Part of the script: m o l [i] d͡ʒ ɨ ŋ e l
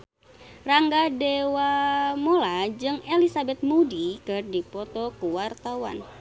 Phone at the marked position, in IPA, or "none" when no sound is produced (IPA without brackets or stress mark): a